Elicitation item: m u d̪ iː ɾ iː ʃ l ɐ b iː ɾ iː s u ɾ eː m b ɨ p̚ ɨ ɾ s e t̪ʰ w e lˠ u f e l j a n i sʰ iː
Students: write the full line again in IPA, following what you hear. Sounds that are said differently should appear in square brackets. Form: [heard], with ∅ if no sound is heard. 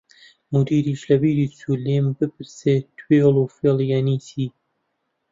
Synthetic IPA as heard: m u d̪ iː ɾ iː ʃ l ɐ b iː ɾ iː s u [l] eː m b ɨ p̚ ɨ ɾ s e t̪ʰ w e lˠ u f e l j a n i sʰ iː

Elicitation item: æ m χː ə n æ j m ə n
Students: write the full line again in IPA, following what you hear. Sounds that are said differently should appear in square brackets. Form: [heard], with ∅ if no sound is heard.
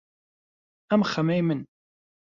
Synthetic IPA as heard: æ m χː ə [m] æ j m ə n

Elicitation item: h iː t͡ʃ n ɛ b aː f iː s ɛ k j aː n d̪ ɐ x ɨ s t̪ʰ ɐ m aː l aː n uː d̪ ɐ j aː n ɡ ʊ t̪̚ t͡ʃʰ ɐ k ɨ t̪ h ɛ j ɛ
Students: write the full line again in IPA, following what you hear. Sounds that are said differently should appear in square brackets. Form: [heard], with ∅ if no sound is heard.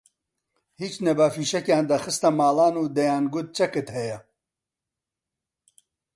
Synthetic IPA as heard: h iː t͡ʃ n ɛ b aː f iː [ʃ] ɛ k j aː n d̪ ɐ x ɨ s [t̪] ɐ m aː l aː n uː d̪ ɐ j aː n ɡ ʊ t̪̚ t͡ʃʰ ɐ k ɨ t̪ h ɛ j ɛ

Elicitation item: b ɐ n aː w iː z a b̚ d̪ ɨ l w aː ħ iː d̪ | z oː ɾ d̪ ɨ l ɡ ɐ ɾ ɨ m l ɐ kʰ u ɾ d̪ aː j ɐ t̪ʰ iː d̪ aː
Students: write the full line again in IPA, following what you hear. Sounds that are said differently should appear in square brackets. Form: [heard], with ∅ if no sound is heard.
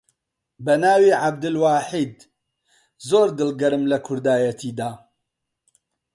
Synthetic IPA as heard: b ɐ n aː w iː [ʕ] a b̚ d̪ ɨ l w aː ħ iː d̪ | z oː ɾ d̪ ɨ l ɡ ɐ ɾ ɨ m l ɐ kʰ [ʊ] ɾ d̪ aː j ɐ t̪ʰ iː d̪ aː

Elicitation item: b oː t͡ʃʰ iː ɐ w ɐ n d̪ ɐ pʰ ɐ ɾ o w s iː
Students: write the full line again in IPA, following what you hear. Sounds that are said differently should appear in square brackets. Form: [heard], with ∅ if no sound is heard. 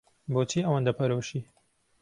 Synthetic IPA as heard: b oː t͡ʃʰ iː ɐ w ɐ n d̪ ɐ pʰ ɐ ɾ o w [ʃ] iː

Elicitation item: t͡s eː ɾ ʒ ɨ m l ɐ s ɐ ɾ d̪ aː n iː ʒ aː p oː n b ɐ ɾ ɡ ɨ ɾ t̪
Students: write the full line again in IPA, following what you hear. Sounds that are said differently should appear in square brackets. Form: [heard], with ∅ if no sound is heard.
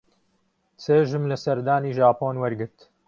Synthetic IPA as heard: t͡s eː [∅] ʒ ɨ m l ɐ s ɐ ɾ d̪ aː n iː ʒ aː p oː n [w] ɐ ɾ ɡ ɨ ɾ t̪

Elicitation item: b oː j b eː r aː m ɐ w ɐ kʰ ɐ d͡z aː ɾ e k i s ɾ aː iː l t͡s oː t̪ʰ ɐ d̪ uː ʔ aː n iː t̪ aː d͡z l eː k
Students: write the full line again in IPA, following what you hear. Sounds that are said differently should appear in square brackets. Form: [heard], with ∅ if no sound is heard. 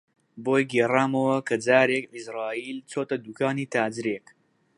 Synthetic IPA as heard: b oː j [ɡ] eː r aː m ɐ w ɐ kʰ ɐ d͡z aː ɾ e k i s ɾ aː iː l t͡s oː [t̪] ɐ d̪ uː [k] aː n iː t̪ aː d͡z [ɾ] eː k

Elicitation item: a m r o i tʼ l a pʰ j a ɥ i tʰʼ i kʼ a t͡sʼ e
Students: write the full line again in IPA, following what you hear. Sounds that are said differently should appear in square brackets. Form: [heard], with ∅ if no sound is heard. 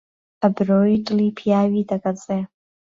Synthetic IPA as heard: a [b] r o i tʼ l [i] pʰ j a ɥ i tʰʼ [a] kʼ a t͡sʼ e

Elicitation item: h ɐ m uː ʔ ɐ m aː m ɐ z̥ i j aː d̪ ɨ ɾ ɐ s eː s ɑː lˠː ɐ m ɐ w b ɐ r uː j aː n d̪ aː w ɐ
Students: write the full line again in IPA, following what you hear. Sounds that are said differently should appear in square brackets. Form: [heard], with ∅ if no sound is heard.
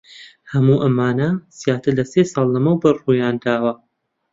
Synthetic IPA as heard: h ɐ m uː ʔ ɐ m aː [n] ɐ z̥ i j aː [t̪] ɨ [l] ɐ s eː s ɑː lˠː ɐ m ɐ w b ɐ r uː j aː n d̪ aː w ɐ

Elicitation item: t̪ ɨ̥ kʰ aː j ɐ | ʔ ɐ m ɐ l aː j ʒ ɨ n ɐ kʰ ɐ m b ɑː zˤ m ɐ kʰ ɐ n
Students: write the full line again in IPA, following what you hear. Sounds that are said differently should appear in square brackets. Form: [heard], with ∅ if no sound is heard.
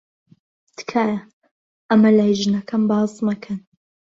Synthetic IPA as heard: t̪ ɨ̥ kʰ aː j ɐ | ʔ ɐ m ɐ l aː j ʒ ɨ n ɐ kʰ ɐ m b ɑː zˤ m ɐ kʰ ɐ n

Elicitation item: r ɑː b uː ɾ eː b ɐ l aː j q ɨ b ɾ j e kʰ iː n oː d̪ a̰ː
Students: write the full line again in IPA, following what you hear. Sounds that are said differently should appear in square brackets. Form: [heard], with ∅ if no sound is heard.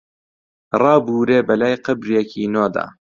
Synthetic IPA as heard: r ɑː b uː ɾ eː b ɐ l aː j q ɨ b ɾ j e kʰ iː n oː d̪ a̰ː

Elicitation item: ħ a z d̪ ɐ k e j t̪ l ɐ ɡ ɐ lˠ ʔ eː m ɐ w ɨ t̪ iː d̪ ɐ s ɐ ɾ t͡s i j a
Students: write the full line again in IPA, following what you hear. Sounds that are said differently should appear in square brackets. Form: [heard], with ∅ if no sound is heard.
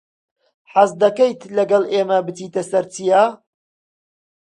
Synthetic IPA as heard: ħ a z d̪ ɐ k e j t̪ l ɐ ɡ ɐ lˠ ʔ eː m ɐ [b] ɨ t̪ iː [t̪] ɐ s ɐ ɾ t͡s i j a

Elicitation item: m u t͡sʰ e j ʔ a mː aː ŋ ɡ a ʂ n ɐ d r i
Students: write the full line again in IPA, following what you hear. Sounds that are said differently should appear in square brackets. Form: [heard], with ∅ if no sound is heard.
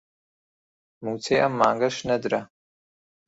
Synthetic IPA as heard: m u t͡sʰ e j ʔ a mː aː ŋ ɡ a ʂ n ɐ d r [a]

